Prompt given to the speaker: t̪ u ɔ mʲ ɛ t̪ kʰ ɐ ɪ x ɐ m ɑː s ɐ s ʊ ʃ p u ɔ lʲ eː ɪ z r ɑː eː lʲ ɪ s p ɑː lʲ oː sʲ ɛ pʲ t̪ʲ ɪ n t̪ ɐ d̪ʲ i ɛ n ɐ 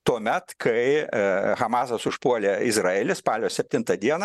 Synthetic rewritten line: t̪ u ɔ mʲ ɛ t̪ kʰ ɐ ɪ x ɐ m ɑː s ɐ s ʊ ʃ p u ɔ lʲ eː ɪ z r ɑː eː lʲ ɪ s p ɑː lʲ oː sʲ ɛ pʲ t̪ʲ ɪ n t̪ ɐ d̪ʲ i ɛ n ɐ